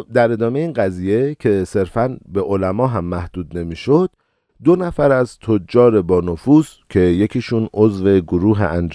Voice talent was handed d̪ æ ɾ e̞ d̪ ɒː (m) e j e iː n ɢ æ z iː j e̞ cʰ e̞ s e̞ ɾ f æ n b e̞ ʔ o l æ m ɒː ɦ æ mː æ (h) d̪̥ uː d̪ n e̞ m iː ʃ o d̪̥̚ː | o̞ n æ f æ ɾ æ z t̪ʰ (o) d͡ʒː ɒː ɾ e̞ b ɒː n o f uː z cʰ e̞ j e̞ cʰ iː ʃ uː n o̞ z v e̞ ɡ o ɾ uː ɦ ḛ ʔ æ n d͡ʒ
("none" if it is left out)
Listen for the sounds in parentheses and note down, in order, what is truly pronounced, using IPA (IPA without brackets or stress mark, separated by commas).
m, h, o